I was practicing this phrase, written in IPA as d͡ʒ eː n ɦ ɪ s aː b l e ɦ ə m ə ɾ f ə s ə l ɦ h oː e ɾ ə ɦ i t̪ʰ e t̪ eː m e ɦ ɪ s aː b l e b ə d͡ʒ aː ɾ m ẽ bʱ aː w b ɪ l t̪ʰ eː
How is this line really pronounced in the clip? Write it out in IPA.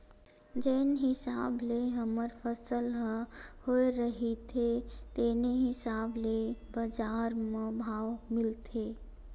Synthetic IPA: d͡ʒ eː n ɦ ɪ s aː b l e ɦ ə m ə ɾ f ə s ə l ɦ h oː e ɾ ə ɦ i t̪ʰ e t̪ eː n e ɦ ɪ s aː b l e b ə d͡ʒ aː ɾ m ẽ bʱ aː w m ɪ l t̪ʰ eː